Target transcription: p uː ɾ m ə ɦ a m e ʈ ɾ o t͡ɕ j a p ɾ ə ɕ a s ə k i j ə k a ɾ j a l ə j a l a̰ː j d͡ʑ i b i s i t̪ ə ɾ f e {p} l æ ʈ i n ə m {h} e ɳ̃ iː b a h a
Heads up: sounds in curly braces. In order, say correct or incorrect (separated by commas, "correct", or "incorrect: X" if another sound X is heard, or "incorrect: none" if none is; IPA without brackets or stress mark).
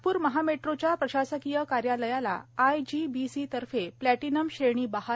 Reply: correct, incorrect: ɕ